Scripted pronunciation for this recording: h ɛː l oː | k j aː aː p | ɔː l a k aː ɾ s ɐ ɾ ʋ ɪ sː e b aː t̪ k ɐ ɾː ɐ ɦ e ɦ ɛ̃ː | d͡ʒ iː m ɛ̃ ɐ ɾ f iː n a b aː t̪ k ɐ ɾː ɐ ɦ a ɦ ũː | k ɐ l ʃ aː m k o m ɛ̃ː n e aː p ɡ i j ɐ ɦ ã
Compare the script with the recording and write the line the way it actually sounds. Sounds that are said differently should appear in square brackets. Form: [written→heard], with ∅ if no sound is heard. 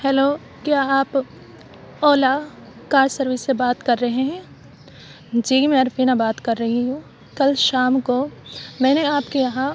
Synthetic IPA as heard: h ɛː l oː | k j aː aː p | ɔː l a k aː ɾ s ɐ ɾ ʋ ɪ sː e b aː t̪ k ɐ ɾː ɐ ɦ e ɦ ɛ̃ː | d͡ʒ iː m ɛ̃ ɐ ɾ f iː n a b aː t̪ k ɐ ɾː ɐ ɦ [a→i] ɦ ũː | k ɐ l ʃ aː m k o m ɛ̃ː n e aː p [ɡ→k] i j ɐ ɦ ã